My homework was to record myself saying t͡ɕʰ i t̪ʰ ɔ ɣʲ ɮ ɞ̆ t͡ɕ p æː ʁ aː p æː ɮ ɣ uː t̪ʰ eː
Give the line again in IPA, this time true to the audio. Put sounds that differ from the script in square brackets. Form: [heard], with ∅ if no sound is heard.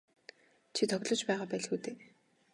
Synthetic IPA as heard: t͡ɕʰ i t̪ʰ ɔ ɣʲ ɮ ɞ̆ t͡ɕ p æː ʁ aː p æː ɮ [x] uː [t̪] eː